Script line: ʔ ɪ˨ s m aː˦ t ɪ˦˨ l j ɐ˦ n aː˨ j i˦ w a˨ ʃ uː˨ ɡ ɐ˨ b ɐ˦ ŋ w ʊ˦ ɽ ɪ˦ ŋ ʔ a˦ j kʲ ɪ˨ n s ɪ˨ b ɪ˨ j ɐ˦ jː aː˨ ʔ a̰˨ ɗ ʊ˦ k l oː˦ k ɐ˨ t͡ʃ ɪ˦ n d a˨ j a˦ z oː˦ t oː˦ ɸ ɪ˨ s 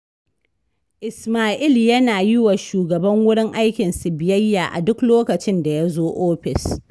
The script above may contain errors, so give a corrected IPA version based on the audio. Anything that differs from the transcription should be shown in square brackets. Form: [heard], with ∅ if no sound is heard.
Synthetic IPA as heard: ʔ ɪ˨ s m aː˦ [ʔ] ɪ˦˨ l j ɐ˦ n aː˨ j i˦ w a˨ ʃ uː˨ ɡ ɐ˨ b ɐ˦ ŋ w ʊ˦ ɽ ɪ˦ ŋ ʔ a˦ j kʲ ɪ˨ n s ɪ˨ b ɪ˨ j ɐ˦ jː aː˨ ʔ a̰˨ [d] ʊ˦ k l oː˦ k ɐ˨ t͡ʃ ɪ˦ n d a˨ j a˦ z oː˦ [ʔ] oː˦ ɸ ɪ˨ s

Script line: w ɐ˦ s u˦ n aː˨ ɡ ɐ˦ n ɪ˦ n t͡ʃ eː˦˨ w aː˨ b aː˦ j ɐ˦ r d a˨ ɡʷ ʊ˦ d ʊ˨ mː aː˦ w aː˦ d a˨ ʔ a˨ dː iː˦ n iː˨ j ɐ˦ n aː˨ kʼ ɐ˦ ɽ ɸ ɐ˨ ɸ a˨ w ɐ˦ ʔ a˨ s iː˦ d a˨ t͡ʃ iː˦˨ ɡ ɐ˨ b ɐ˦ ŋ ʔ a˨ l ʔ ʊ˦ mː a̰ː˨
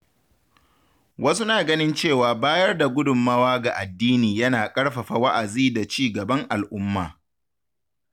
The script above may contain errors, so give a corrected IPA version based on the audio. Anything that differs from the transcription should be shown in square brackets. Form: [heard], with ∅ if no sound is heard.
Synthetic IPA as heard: w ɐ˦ s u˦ n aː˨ ɡ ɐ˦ n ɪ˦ n t͡ʃ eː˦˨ w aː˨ b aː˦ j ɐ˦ r d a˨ ɡʷ ʊ˦ d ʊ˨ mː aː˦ w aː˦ [ɡ] a˨ ʔ a˨ dː iː˦ n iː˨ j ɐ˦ n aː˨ kʼ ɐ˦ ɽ ɸ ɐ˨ ɸ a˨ w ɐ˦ ʔ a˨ [z] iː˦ d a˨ t͡ʃ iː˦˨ ɡ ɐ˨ b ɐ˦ ŋ ʔ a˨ l ʔ ʊ˦ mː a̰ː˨

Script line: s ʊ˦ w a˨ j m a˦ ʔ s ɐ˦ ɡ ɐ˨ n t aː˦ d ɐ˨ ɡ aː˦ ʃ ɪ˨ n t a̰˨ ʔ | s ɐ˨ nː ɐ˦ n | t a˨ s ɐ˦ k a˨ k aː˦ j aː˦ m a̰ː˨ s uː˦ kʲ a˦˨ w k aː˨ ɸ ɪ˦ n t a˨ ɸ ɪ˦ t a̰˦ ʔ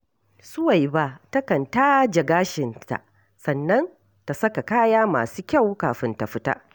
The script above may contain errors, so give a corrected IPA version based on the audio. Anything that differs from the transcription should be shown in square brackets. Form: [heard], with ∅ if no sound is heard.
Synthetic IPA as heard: s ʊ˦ w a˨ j [b] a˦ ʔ [t] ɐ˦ [k] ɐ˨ n t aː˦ [d͡ʒ] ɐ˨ ɡ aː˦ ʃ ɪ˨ n t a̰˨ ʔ | s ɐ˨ nː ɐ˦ n | t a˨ s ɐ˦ k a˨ k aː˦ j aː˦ m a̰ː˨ s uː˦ kʲ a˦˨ w k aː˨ ɸ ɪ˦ n t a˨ ɸ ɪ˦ t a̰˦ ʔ

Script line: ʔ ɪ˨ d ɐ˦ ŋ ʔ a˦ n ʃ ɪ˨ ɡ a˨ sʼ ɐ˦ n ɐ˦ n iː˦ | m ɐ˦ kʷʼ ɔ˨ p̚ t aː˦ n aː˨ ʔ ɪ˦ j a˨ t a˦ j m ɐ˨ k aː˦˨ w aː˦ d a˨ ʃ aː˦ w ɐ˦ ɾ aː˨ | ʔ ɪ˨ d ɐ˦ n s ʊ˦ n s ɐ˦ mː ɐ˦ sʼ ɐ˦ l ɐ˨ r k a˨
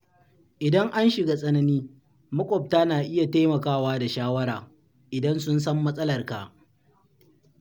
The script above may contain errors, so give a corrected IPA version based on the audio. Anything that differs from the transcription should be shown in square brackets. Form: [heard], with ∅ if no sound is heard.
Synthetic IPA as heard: ʔ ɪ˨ d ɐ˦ ŋ ʔ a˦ n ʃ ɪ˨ ɡ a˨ sʼ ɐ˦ n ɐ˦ n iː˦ | m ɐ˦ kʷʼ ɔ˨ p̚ t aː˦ n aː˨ ʔ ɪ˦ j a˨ t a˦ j m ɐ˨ k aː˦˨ w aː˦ d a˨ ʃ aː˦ w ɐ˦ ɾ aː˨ | ʔ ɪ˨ d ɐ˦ n s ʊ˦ n s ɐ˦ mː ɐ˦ sʼ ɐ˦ l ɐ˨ r k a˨

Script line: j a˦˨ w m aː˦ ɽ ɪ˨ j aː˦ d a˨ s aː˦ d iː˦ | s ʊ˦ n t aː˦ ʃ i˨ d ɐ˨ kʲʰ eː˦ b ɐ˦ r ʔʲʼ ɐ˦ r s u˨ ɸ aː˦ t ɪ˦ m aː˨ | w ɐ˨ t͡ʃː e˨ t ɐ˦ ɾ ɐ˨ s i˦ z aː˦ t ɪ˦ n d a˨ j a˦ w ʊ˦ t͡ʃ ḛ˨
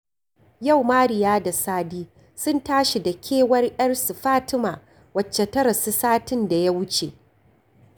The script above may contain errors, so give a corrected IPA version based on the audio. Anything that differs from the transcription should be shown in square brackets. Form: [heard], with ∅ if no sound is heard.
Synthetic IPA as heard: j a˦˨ w m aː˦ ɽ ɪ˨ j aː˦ d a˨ s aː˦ d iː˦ | s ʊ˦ n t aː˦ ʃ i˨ d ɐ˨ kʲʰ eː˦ [w] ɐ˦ r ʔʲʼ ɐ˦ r s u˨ ɸ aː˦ t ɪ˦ m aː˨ | w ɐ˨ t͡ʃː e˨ t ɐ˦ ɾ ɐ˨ s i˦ [s] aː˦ t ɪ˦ n d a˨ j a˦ w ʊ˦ t͡ʃ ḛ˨

